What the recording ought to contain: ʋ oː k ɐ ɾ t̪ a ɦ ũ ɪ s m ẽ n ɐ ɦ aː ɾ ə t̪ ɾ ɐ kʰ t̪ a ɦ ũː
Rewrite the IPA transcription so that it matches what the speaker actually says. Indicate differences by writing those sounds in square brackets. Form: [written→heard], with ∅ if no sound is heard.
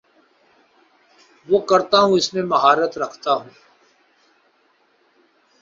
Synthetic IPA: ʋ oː k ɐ ɾ t̪ a ɦ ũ ɪ s m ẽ [n→m] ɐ ɦ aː ɾ ə t̪ ɾ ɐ kʰ t̪ a ɦ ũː